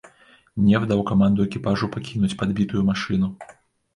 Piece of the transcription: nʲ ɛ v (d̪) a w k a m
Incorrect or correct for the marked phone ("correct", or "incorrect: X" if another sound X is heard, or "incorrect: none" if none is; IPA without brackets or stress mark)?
correct